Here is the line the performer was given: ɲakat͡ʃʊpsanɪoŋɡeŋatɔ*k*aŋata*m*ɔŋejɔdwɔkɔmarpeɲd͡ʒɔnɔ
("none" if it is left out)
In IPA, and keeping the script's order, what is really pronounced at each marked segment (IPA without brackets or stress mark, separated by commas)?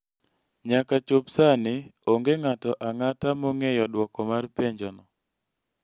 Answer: ʔ, m